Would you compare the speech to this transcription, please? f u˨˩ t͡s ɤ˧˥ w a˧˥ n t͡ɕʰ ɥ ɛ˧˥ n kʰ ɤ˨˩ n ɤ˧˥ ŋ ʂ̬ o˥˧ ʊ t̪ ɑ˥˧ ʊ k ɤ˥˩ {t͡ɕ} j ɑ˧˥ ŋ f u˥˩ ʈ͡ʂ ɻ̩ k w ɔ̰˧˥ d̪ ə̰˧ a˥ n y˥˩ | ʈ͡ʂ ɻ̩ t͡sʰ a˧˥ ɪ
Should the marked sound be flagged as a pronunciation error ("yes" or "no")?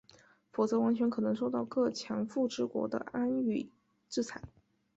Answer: yes